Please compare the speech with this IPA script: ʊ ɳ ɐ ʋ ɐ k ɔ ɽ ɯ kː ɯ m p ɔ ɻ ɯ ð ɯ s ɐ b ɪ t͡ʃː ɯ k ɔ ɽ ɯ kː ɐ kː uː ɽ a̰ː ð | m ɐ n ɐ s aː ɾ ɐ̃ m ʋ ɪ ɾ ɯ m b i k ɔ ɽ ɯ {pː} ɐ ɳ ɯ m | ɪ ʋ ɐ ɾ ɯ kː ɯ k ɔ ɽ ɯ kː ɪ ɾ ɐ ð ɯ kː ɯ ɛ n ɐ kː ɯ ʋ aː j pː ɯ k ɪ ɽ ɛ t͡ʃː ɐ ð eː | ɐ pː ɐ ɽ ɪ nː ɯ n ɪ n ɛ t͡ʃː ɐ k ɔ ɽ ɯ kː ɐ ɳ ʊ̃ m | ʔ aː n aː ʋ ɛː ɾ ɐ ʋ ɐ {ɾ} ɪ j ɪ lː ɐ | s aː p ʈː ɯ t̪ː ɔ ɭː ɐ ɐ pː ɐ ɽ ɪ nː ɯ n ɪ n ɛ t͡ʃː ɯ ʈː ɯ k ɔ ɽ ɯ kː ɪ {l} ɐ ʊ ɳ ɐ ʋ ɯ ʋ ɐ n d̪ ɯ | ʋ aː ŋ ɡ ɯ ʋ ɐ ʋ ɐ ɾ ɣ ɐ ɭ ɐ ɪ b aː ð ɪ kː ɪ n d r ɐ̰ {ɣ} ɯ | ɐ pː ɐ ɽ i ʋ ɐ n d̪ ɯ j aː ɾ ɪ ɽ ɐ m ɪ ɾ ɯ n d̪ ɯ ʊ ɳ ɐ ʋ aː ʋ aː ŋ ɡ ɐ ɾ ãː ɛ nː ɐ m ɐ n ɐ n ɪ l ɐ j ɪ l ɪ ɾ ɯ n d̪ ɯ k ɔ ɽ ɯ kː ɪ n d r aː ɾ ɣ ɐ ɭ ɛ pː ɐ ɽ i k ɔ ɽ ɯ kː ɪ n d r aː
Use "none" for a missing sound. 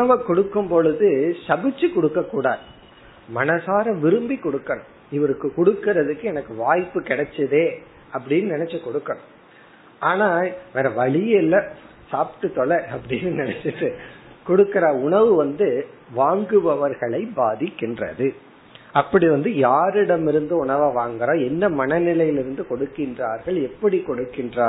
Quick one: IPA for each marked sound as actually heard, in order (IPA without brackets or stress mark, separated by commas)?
kː, ɭ, ɾ, ð